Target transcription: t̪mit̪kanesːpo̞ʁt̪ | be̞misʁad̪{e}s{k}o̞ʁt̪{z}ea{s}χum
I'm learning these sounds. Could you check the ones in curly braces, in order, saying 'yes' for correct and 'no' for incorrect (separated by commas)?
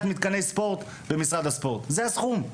no, no, yes, yes